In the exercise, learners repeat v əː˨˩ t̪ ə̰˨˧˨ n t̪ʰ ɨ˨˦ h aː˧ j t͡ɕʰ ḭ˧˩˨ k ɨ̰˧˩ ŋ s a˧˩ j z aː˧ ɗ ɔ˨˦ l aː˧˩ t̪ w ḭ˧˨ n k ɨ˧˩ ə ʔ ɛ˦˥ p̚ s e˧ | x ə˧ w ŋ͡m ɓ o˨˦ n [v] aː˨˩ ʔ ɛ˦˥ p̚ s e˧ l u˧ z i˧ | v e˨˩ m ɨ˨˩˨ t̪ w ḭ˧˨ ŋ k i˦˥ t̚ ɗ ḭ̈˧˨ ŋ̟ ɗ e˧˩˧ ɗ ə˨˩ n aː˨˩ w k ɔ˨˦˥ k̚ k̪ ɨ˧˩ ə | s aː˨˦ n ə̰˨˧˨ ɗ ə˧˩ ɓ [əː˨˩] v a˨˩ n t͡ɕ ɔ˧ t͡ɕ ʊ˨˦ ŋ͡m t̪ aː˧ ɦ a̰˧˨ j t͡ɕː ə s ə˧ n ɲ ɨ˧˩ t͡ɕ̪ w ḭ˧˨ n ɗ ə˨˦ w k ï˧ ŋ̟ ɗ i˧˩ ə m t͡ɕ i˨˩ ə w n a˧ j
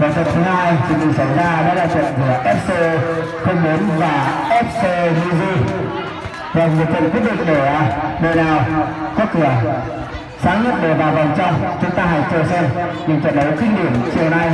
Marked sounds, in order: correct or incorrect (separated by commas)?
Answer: correct, incorrect